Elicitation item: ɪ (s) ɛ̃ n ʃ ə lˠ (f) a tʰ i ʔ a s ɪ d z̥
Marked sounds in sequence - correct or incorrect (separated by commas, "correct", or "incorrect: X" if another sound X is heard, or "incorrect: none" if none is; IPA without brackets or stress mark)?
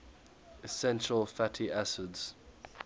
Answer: correct, correct